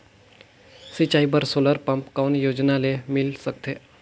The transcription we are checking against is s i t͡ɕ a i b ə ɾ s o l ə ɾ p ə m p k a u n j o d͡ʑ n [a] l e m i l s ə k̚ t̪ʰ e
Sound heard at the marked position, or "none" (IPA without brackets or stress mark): a